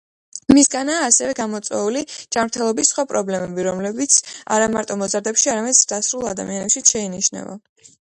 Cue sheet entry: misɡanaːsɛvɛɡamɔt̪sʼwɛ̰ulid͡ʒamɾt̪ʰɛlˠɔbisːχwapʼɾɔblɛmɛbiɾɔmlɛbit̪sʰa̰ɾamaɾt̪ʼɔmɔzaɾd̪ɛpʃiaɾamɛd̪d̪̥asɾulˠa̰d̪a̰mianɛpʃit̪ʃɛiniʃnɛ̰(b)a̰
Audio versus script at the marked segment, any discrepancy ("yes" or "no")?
yes